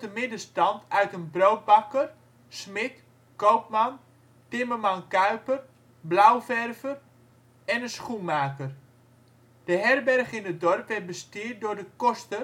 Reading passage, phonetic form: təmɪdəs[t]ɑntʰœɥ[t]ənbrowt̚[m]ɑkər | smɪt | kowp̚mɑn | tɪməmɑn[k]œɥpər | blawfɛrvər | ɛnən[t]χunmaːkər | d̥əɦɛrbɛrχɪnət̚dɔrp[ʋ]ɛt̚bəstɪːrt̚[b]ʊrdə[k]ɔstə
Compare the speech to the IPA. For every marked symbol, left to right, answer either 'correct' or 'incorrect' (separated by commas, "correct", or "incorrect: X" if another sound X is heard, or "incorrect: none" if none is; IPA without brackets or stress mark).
correct, correct, incorrect: b, correct, incorrect: s, correct, incorrect: d, correct